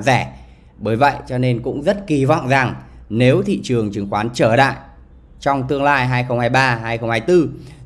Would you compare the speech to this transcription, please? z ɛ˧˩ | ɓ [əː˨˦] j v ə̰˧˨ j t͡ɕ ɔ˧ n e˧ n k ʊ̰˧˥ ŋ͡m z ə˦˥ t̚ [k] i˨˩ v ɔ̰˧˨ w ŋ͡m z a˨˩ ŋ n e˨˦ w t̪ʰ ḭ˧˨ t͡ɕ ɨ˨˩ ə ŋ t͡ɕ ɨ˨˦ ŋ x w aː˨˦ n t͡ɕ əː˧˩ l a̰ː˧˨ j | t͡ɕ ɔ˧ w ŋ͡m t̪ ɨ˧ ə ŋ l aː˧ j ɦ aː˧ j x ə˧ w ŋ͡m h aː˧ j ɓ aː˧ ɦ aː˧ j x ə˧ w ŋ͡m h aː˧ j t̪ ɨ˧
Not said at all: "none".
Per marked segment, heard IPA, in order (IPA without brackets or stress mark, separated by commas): əː˨˦, k